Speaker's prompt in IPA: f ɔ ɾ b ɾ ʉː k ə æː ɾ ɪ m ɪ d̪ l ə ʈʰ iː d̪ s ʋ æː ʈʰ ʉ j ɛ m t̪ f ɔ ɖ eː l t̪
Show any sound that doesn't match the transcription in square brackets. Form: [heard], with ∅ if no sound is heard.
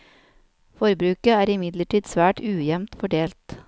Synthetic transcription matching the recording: f ɔ ɾ b ɾ ʉː k ə æː ɾ ɪ m ɪ d̪ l ə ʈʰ iː d̪ s ʋ æː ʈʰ [ʉː] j ɛ m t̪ f ɔ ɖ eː l t̪